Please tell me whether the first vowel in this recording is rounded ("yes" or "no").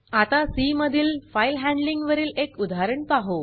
no